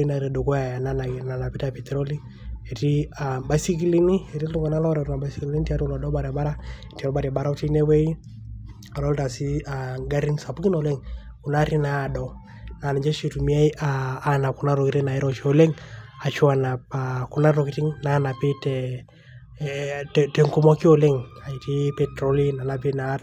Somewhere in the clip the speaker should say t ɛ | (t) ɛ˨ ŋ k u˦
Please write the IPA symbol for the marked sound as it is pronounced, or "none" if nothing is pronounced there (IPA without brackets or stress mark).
t